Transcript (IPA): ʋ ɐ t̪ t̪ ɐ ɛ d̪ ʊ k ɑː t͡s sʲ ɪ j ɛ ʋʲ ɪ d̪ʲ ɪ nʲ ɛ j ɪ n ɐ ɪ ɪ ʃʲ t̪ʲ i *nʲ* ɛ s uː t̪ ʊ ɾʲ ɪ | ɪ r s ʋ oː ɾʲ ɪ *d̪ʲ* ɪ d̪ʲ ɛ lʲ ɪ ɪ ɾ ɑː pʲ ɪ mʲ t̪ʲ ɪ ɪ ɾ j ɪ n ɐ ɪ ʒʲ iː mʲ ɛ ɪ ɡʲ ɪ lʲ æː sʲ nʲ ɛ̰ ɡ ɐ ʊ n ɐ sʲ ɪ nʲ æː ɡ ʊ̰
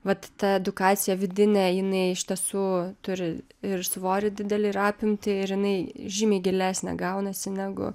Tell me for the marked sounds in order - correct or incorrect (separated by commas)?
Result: incorrect, correct